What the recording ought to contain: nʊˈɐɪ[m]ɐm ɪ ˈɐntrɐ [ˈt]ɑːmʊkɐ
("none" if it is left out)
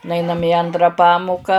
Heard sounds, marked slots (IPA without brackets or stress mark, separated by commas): n, p